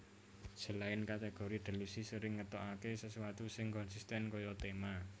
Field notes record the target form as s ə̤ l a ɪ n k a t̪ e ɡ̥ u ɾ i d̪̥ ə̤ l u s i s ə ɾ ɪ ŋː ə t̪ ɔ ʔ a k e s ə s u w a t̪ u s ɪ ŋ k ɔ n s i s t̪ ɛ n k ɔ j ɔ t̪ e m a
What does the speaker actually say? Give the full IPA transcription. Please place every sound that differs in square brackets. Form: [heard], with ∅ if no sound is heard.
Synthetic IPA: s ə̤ l a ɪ n k a t̪ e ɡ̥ [o] ɾ i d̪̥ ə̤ l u s i s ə ɾ ɪ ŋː ə t̪ ɔ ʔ a k e s ə s u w a t̪ u s ɪ ŋ k ɔ n s i s t̪ ɛ n k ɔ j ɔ t̪ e m a